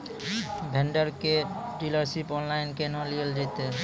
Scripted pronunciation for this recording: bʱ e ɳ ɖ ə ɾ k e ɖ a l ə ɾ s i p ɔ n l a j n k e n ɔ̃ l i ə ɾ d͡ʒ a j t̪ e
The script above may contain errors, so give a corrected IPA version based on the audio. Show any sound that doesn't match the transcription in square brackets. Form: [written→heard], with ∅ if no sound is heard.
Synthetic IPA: bʱ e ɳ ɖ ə ɾ k e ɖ [a→i] l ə ɾ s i p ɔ n l a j n k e n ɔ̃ l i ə [ɾ→l] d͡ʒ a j t̪ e